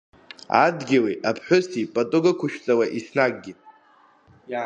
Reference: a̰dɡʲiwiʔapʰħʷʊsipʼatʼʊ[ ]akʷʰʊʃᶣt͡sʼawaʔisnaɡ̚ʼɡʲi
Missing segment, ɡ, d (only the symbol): ɡ